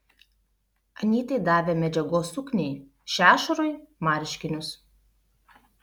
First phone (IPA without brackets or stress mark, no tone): ɐ